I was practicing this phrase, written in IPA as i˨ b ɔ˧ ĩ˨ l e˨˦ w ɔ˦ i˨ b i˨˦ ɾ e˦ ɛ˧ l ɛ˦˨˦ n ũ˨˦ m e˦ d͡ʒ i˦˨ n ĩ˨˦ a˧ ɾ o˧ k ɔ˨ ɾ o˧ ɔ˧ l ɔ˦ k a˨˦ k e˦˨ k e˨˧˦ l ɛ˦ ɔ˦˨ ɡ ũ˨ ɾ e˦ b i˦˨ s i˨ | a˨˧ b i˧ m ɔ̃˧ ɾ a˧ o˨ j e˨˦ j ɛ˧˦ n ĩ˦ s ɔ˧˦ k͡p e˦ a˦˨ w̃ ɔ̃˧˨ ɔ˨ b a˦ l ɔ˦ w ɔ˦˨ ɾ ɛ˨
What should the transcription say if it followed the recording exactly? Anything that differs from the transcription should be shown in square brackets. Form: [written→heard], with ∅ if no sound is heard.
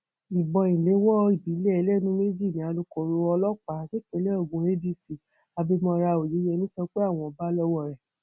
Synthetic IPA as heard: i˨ b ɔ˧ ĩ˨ l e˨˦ w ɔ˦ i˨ b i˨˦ [ɾ→l] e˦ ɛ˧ l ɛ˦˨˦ n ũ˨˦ m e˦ d͡ʒ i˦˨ n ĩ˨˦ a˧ [ɾ→l] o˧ k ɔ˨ ɾ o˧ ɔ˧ l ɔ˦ [k→k͡p] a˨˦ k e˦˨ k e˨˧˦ l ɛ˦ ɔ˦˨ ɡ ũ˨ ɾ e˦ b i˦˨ s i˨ | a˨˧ b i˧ m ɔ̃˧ ɾ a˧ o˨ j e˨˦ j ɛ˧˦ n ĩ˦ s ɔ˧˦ k͡p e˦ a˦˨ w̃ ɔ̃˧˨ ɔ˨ b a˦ l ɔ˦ w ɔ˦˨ ɾ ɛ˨